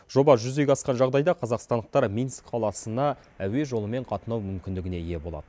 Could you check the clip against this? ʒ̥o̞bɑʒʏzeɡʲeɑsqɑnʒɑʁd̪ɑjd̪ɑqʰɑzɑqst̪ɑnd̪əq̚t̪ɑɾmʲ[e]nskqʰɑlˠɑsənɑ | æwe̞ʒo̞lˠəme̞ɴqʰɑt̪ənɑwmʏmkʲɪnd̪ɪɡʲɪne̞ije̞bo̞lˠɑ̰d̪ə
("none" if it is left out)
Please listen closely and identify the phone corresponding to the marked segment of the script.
i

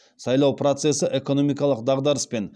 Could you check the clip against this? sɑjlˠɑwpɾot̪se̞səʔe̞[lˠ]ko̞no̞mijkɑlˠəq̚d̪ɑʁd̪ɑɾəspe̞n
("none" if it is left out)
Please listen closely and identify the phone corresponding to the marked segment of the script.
none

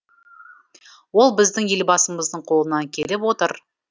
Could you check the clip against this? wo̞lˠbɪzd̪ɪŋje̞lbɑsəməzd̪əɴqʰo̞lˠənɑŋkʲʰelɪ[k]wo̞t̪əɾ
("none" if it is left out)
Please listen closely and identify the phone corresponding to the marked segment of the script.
p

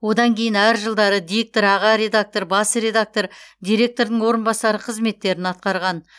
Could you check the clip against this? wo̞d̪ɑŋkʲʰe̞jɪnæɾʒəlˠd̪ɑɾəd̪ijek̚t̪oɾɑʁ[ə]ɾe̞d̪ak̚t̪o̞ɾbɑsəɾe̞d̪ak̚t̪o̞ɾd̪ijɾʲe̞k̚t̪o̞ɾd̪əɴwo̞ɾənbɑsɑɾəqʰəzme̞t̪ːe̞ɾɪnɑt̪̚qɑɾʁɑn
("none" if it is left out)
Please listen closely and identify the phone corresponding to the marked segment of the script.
ɑ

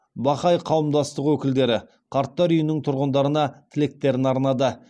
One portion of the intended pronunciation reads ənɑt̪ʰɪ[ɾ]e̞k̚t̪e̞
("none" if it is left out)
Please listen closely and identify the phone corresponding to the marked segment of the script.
l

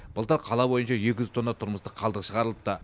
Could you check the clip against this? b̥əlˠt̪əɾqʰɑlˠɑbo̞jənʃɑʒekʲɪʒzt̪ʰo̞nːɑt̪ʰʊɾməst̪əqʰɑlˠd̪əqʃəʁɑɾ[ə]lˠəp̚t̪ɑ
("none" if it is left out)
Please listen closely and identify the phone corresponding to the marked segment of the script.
ə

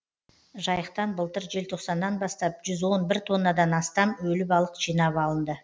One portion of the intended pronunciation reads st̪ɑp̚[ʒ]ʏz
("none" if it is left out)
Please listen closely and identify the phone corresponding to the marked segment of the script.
ʒ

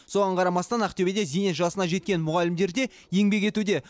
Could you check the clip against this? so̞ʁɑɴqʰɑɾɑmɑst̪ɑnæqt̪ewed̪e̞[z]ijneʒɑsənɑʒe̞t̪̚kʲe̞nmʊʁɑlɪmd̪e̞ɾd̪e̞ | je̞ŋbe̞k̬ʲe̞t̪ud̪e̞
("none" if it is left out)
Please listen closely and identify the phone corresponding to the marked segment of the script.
z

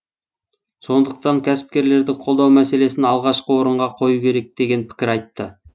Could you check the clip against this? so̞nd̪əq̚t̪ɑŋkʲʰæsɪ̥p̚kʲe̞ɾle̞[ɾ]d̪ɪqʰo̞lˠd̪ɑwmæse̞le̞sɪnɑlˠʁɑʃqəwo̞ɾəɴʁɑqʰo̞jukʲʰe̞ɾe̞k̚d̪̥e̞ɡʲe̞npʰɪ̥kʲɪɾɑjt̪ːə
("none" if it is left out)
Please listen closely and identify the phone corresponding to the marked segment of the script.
ɾ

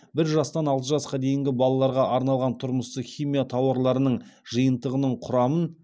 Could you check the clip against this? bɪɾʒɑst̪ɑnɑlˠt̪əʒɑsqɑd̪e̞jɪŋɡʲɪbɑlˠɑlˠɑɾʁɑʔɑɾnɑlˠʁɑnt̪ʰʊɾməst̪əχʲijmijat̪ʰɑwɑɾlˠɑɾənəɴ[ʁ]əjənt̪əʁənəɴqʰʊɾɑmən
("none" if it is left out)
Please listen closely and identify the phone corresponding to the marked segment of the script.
ʒ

